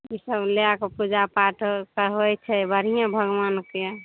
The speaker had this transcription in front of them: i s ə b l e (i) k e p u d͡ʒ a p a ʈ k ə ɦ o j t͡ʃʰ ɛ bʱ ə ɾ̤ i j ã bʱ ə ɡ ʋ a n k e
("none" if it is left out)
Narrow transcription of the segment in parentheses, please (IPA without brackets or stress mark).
a